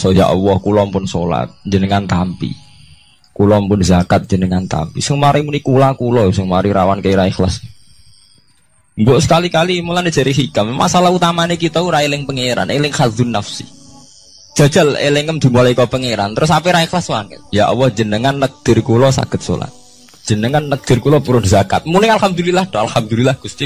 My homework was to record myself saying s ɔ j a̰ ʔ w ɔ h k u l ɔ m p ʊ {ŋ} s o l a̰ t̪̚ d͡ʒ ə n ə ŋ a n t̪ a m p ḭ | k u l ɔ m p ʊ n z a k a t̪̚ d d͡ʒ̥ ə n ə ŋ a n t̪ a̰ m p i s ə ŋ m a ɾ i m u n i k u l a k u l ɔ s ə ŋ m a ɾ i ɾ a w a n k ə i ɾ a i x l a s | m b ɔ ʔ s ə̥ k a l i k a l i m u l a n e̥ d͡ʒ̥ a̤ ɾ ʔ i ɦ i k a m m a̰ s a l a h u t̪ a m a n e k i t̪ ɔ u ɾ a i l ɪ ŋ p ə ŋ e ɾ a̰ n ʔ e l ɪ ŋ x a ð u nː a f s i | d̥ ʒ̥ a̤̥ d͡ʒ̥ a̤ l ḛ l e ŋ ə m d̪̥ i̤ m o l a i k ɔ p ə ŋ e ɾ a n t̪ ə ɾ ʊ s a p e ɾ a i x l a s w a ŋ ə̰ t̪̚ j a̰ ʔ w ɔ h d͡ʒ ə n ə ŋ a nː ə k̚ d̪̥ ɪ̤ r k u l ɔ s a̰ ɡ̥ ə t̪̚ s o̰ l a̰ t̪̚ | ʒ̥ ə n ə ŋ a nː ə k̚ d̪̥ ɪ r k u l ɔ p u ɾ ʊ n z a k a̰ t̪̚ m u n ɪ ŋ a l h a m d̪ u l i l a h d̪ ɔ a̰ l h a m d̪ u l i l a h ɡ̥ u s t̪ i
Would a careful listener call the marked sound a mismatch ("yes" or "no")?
yes